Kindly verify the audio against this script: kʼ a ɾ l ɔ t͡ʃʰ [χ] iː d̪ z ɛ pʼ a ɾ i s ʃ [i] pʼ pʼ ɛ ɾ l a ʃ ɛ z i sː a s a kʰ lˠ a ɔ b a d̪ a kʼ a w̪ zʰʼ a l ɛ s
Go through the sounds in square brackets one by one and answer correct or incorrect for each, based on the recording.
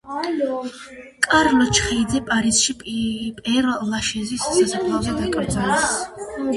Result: correct, correct

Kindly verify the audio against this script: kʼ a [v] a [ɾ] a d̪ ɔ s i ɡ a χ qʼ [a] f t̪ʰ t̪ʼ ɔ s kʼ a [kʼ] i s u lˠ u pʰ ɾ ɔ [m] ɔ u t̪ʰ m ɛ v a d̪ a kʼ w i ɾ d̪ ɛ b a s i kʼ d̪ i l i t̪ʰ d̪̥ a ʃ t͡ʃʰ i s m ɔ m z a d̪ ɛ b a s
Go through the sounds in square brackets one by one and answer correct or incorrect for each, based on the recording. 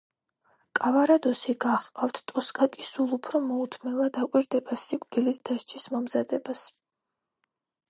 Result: correct, correct, correct, correct, correct

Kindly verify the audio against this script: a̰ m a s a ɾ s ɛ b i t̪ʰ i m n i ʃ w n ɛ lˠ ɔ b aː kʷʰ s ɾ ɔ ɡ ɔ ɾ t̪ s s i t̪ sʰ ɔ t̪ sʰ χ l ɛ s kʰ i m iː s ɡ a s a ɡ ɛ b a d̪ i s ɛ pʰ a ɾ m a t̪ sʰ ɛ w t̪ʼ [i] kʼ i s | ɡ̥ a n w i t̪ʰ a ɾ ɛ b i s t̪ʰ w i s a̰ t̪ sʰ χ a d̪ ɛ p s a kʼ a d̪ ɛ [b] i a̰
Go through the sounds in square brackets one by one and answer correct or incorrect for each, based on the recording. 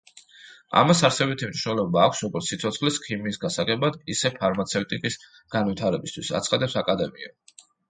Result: correct, incorrect: m

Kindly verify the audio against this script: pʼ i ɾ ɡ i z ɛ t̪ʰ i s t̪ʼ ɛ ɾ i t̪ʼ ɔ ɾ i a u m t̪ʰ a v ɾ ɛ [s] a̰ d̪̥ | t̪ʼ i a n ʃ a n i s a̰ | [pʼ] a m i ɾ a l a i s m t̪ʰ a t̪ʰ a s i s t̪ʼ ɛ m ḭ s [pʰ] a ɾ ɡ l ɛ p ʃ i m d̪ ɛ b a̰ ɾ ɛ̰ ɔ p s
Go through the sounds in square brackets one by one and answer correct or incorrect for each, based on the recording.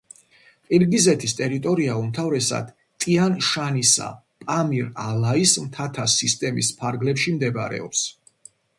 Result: correct, correct, correct

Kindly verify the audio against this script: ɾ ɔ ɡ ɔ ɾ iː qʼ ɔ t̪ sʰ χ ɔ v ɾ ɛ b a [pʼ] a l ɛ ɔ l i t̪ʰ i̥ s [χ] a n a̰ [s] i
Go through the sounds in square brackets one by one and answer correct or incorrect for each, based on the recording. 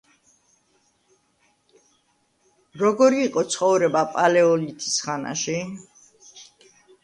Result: correct, correct, incorrect: ʃ

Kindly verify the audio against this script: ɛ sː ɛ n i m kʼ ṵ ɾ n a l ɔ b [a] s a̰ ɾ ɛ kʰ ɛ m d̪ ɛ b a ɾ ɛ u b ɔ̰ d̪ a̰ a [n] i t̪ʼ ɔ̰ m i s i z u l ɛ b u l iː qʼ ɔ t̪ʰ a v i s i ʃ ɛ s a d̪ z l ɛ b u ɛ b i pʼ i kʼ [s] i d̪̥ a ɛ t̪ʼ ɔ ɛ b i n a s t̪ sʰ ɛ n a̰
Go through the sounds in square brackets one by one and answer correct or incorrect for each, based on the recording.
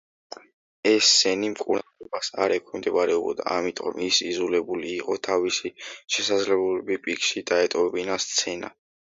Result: correct, incorrect: m, incorrect: ʃ

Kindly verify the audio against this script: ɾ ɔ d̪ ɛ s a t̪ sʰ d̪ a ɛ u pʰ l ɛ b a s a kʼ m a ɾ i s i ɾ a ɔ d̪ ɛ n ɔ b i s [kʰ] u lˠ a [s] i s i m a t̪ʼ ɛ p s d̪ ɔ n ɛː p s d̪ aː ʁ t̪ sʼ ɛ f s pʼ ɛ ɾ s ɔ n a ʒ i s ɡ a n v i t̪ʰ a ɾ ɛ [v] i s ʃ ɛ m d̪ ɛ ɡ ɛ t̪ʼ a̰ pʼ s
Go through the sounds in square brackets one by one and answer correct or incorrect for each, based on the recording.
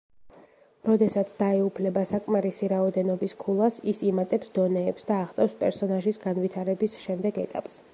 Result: correct, correct, incorrect: b

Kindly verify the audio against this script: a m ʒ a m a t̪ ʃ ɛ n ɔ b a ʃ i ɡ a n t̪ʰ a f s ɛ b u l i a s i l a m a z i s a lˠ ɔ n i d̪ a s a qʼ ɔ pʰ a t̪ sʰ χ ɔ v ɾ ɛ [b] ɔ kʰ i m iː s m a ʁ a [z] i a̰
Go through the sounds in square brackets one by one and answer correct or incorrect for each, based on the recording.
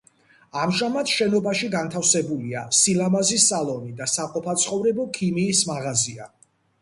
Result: correct, correct

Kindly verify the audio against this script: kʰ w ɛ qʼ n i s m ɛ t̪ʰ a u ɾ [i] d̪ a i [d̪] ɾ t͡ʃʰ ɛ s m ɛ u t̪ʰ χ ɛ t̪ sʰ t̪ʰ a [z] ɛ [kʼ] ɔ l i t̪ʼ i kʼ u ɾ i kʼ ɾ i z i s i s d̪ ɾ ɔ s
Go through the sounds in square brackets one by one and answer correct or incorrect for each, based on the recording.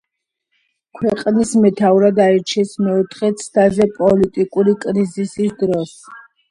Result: incorrect: a, incorrect: none, correct, incorrect: pʼ

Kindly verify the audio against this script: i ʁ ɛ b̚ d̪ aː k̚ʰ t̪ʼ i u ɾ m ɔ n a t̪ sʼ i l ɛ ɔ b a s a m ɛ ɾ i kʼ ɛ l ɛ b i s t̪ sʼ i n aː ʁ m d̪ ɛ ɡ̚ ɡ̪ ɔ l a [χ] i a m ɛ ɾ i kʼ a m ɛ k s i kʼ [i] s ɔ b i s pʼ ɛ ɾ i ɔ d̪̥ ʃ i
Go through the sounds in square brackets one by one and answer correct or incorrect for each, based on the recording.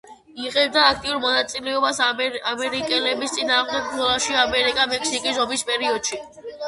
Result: incorrect: ʃ, correct

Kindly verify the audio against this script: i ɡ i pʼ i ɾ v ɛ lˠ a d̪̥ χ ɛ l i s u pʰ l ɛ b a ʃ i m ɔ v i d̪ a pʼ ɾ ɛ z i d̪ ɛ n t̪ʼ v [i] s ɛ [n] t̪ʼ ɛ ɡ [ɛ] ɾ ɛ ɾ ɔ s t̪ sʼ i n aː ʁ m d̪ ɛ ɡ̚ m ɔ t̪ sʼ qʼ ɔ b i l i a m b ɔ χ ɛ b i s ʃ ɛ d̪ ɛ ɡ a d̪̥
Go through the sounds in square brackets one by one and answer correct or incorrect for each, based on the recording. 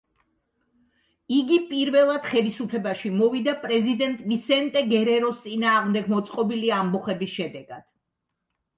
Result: correct, correct, correct

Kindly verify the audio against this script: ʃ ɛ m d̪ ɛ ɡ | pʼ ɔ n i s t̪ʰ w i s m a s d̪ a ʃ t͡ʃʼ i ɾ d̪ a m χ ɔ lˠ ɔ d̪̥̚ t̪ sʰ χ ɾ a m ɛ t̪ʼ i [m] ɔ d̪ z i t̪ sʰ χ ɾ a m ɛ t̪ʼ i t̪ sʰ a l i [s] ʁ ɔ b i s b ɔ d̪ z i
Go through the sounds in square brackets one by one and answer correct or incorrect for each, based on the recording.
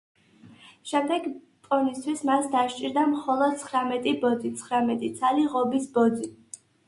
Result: incorrect: b, incorrect: none

